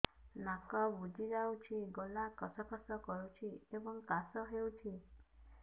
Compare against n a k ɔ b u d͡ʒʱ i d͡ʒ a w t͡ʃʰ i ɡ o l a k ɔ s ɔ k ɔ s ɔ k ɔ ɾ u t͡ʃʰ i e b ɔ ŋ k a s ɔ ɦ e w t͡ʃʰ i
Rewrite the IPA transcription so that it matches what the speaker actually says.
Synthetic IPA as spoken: n a k ɔ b u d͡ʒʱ i d͡ʒ a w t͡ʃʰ i ɡ o l a k ɔ s ɔ k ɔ s ɔ k ɔ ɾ u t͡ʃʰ i e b ɔ ŋ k a s ɔ ɦ e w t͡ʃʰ i